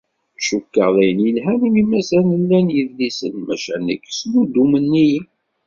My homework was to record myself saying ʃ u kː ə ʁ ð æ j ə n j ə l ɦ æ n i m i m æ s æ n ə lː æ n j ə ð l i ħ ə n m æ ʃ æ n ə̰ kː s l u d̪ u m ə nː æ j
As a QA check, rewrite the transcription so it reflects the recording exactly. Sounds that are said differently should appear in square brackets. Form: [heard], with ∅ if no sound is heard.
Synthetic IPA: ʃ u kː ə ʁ ð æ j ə n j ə l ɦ æ n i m i m æ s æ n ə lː æ n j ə ð l i [s] ə n m æ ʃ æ n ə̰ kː s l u d̪ u m ə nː [i] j